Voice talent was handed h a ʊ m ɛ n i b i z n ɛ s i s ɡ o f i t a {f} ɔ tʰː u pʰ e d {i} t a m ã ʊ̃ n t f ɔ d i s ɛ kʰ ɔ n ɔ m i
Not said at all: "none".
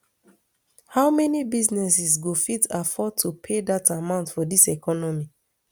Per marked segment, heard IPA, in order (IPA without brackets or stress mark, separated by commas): f, a